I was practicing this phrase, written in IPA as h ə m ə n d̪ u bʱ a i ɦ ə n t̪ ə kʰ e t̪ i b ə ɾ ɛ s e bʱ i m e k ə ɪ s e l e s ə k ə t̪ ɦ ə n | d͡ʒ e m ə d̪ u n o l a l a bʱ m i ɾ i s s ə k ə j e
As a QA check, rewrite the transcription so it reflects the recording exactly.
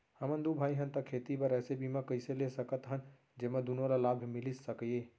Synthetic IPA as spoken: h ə m ə n d̪ u bʱ a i ɦ ə n t̪ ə kʰ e t̪ i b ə ɾ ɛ s e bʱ i m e k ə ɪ s e l e s ə k ə t̪ ɦ ə n | d͡ʒ e m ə d̪ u n o ɾ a l a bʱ m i l i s s ə k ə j e